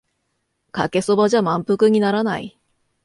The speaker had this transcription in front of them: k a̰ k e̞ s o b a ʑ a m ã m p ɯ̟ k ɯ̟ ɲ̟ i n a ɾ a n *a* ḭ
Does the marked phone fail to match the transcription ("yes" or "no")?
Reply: no